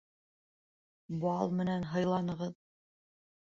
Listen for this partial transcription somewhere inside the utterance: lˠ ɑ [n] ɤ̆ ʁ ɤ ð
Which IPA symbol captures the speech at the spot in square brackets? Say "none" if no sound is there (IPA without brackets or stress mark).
n